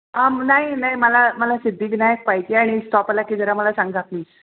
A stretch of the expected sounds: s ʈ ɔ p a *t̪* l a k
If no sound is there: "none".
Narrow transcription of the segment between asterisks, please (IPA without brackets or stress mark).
none